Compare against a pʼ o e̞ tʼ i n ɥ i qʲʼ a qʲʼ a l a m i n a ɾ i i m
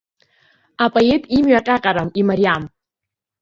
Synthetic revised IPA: a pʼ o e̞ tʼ i m ɥ a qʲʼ a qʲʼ a ɾ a m i m a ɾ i a m